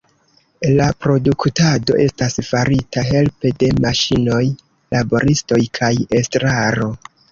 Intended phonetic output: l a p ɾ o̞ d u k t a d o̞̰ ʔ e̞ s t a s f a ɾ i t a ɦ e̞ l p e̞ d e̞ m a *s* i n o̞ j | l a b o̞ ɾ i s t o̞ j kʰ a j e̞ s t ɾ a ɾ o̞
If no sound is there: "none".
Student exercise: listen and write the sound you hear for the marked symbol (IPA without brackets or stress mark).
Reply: ʃ